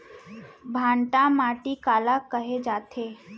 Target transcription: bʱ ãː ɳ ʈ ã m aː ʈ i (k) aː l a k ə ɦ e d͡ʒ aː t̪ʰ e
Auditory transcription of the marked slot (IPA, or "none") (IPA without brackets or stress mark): k